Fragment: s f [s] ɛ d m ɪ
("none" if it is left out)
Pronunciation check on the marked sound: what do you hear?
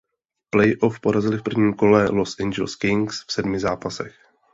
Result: s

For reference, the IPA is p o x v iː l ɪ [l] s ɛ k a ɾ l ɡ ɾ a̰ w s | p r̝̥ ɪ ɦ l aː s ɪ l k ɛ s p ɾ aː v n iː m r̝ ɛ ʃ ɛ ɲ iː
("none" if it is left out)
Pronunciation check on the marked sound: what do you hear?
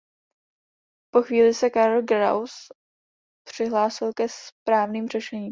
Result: none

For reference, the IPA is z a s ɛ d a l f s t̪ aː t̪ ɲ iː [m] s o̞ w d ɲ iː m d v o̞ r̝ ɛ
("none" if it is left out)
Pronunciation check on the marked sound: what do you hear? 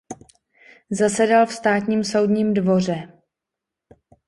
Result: m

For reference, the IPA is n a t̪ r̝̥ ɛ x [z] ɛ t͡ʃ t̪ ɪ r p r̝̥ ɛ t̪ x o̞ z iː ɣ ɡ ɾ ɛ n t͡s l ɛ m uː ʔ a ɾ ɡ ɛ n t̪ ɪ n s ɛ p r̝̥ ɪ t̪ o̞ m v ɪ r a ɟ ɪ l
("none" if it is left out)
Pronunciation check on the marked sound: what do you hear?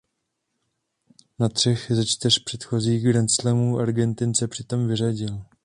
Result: z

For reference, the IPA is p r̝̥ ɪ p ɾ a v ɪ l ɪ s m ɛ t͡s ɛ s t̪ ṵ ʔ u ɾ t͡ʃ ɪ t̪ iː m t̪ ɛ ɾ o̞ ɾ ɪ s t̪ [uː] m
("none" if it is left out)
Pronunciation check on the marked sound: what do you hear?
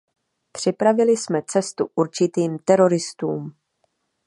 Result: uː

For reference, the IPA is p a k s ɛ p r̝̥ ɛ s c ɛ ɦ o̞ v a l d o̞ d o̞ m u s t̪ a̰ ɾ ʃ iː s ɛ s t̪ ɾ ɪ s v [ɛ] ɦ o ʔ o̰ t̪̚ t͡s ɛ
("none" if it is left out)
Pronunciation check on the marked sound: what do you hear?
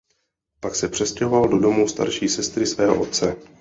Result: ɛː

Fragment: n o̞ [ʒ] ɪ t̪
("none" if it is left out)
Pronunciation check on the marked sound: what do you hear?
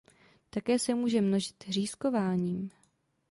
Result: ʒ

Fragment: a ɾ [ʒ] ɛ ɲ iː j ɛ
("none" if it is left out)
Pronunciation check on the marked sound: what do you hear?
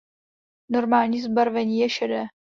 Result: v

